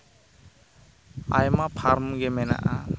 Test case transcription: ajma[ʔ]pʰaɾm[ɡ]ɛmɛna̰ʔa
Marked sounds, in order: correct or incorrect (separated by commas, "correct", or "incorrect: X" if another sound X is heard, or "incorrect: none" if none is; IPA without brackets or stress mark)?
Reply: incorrect: none, correct